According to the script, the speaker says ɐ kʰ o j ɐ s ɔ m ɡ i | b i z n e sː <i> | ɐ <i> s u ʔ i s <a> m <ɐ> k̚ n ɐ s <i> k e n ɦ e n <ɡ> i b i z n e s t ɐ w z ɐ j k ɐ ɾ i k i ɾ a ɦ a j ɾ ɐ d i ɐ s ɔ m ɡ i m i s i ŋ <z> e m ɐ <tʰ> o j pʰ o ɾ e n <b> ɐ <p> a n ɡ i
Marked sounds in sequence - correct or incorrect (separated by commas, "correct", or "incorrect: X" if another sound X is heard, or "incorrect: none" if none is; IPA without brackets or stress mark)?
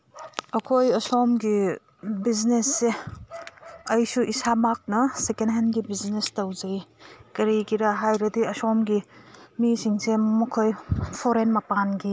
incorrect: e, incorrect: j, correct, incorrect: a, incorrect: e, correct, incorrect: s, incorrect: kʰ, incorrect: m, correct